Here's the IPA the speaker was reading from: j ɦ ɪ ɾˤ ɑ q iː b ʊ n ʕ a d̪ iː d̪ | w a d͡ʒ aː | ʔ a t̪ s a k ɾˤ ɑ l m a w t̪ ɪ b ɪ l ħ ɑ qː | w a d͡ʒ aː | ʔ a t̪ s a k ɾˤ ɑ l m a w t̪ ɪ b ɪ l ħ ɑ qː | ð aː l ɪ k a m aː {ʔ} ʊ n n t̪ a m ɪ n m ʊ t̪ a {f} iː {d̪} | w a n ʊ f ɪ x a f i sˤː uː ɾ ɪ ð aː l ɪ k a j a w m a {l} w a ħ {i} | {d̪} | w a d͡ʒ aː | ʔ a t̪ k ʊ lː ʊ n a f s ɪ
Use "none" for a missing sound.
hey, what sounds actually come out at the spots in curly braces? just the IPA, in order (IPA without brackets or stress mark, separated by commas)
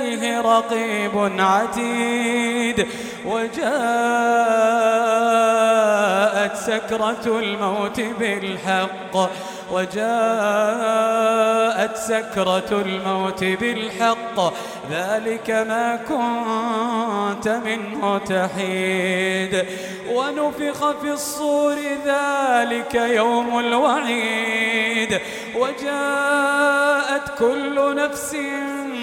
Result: k, ħ, d̪, l, iː, d̪